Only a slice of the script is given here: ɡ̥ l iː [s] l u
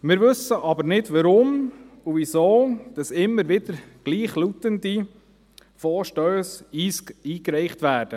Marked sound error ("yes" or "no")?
yes